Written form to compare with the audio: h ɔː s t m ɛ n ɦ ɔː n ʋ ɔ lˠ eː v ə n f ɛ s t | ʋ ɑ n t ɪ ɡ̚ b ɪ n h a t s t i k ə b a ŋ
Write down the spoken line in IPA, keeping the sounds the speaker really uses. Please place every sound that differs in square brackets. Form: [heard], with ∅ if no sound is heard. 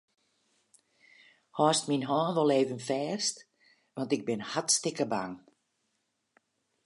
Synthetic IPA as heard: h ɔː s t m [i] n ɦ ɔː n ʋ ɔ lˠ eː v ə n f [ɛː] s t | ʋ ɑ n t ɪ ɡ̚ b ɪ n h a t s t [ɪ] k ə b a ŋ